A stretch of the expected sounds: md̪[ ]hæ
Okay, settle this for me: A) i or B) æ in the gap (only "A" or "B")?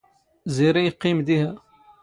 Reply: A